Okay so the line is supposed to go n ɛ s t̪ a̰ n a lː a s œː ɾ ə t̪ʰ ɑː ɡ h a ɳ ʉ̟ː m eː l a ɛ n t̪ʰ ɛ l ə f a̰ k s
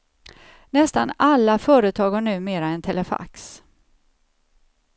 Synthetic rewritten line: n ɛ s t̪ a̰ n a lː a f œː ɾ ə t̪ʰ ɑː ɡ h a ɳ ʉ̟ː m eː ɾ a ɛ n t̪ʰ ɛ l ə f a̰ k s